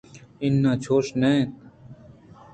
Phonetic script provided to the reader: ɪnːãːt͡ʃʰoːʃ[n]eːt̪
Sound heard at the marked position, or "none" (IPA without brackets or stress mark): n